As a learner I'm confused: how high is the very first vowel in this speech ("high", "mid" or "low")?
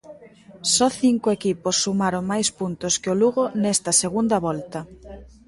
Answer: mid